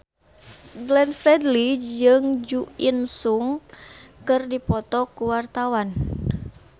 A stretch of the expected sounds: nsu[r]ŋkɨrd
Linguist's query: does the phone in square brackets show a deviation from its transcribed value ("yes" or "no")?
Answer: yes